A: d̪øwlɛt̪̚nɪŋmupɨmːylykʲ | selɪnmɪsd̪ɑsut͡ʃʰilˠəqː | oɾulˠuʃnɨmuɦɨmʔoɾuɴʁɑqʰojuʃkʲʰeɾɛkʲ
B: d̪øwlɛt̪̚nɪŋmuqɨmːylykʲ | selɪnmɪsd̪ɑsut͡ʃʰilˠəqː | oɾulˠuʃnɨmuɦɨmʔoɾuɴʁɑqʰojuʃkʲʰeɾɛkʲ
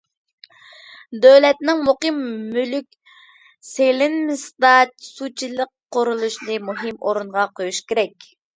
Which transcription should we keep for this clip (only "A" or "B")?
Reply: B